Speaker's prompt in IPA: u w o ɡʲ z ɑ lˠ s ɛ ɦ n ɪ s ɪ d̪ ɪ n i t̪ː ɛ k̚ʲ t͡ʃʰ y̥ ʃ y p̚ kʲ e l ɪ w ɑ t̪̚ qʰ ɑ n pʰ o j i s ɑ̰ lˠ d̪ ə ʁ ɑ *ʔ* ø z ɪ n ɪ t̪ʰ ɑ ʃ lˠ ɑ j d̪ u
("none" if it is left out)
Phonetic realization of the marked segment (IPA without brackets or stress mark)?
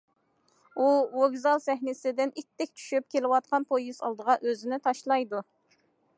ʔ